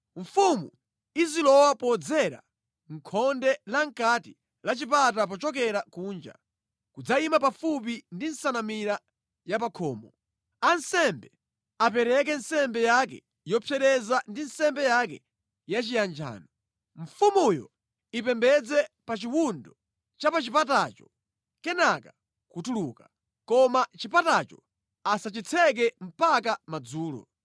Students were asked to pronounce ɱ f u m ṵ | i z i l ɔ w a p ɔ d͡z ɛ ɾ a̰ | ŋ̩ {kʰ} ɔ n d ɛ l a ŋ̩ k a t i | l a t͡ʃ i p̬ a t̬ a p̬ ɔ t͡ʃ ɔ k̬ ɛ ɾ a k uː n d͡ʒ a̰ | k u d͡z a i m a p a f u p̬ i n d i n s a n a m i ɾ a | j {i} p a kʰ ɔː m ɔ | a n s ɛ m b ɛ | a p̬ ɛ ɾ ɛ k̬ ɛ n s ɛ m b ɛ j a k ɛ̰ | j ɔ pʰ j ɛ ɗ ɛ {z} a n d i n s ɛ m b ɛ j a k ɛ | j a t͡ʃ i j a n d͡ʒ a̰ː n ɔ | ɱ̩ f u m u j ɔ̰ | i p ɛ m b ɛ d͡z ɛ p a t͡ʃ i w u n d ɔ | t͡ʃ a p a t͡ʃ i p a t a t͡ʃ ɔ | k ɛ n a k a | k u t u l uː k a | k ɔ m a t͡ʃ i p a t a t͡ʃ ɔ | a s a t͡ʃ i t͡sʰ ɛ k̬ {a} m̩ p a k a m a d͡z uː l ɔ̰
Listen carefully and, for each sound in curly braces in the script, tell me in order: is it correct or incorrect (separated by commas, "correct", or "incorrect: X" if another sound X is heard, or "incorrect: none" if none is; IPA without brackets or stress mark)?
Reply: correct, incorrect: a, correct, incorrect: ɛ